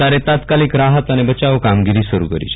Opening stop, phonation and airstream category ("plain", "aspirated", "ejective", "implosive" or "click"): plain